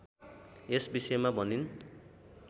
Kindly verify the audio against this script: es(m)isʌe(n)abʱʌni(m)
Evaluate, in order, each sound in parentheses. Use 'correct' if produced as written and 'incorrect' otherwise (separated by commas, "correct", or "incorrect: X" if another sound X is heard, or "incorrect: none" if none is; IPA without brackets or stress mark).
incorrect: b, incorrect: m, incorrect: n